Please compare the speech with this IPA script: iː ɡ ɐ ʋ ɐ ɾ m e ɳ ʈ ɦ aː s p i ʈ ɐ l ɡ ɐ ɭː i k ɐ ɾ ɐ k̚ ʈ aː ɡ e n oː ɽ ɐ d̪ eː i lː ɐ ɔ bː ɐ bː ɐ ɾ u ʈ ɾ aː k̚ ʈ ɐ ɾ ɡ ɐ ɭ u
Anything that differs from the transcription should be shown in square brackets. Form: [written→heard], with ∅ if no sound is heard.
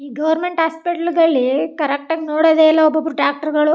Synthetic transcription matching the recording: iː ɡ ɐ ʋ ɐ ɾ m e ɳ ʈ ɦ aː s p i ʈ ɐ l ɡ ɐ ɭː i k ɐ ɾ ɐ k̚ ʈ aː ɡ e n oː ɽ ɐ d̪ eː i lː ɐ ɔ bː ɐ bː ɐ ɾ u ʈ ɾ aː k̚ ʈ ɐ ɾ ɡ ɐ ɭ u